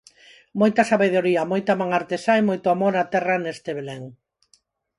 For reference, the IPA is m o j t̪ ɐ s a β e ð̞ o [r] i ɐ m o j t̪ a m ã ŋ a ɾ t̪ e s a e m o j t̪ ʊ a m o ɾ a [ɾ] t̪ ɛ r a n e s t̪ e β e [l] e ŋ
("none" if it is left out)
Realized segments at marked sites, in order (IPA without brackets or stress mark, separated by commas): ɾ, none, l